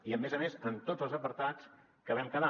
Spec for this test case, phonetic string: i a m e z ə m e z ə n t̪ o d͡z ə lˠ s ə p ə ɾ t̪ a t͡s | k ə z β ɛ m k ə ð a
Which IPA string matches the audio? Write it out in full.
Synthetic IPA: i ə m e z ə m e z ə n t̪ o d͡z ə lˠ z ə p ə ɾ t̪ a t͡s | k ə β ɛ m k ə ð a